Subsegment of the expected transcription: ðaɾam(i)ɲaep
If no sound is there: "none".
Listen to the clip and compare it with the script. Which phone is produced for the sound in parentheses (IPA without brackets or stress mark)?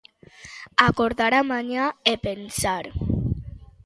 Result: a